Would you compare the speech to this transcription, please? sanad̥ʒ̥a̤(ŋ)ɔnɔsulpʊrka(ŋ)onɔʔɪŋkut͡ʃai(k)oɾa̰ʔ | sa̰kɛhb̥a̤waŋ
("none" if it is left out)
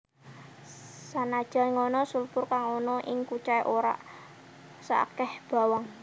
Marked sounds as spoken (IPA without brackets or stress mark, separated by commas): ŋ, ŋ, ʔ